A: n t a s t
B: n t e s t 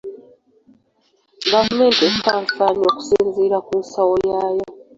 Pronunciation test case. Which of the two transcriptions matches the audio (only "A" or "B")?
B